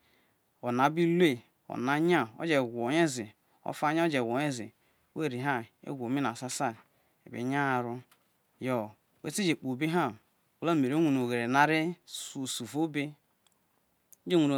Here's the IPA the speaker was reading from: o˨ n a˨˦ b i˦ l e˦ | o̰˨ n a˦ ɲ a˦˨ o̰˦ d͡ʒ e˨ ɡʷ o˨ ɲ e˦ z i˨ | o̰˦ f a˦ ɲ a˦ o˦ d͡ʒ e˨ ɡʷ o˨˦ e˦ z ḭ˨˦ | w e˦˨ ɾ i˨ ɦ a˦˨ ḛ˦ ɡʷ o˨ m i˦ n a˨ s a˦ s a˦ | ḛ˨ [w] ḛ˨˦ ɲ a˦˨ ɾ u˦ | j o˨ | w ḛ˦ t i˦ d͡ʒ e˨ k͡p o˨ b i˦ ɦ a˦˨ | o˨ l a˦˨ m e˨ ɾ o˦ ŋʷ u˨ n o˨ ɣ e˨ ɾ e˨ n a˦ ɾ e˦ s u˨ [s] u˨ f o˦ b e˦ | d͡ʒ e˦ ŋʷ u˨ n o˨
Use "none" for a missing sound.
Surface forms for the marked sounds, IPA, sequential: b, s

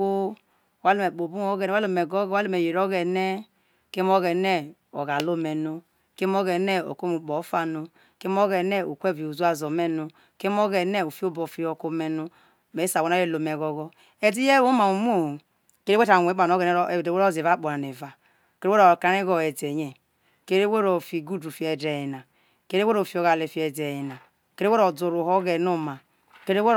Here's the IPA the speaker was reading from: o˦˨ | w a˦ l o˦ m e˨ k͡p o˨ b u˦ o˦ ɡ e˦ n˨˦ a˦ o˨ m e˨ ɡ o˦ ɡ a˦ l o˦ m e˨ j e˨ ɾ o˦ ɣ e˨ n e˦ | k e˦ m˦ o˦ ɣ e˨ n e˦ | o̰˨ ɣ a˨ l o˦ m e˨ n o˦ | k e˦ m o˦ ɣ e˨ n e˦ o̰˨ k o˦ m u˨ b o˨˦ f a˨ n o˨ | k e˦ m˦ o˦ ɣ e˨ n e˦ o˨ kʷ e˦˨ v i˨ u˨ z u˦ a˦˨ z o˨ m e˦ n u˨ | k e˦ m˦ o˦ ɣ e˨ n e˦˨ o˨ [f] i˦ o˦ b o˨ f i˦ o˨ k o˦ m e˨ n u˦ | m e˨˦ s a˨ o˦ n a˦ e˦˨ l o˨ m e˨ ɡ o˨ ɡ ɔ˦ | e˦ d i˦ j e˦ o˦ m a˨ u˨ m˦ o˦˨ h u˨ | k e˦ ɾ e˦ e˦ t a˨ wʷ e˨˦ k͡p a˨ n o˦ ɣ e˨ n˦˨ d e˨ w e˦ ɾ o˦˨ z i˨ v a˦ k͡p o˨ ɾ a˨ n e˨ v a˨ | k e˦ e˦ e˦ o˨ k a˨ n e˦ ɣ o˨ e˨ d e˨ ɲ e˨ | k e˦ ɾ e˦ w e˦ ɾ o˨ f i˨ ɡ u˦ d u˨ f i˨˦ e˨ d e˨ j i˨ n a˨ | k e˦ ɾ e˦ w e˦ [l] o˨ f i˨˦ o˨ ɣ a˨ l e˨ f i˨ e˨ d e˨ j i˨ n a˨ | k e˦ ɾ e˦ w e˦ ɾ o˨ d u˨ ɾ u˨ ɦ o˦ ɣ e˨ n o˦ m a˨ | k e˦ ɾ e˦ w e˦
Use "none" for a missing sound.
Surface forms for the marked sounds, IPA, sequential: f, ɾ

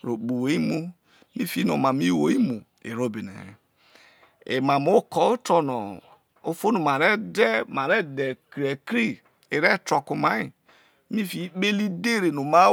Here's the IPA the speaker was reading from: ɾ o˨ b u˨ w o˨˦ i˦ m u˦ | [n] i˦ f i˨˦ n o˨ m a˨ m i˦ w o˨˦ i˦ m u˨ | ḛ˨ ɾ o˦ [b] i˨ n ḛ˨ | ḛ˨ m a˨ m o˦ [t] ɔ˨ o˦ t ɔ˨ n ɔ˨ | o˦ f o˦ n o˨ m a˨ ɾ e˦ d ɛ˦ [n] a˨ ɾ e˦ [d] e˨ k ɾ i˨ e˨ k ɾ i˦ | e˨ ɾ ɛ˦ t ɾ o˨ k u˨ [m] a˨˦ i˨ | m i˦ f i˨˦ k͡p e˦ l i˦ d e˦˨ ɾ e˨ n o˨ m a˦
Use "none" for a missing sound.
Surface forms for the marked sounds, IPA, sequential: m, b, k, m, d, m

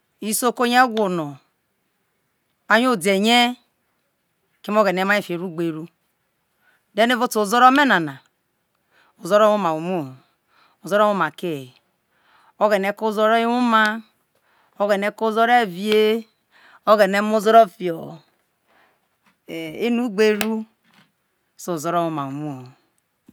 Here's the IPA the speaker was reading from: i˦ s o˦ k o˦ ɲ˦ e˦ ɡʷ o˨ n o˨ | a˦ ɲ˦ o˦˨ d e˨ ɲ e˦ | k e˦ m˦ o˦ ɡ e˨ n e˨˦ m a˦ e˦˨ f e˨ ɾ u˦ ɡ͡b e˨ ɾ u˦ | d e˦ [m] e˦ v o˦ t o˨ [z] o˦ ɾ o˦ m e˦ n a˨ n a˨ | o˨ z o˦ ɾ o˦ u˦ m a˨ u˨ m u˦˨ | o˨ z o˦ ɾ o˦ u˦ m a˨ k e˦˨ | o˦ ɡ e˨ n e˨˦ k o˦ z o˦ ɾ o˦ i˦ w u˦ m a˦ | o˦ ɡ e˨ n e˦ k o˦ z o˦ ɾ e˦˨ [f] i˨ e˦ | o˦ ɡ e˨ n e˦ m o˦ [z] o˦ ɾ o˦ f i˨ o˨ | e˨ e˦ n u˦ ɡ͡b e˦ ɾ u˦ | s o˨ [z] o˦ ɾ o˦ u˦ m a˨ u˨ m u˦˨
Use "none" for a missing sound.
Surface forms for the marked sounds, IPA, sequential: n, z, v, z, z

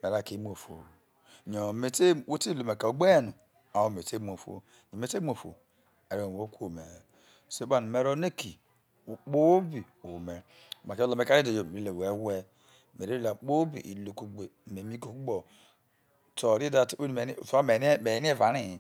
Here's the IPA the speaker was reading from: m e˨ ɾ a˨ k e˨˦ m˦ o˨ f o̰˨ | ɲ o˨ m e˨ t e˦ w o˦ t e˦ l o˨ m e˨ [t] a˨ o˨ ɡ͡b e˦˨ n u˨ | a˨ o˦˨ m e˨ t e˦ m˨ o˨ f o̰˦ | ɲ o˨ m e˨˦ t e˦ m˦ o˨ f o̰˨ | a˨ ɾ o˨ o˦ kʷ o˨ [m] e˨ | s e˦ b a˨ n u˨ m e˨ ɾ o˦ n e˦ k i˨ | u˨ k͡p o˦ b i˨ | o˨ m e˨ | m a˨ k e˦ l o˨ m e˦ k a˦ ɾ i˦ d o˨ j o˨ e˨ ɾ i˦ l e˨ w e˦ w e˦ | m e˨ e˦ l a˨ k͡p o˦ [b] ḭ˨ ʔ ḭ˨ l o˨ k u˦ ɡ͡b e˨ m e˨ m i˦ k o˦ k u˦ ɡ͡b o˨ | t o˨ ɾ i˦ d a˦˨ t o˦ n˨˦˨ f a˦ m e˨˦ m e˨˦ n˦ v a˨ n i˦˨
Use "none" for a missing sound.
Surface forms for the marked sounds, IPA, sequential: k, m, b

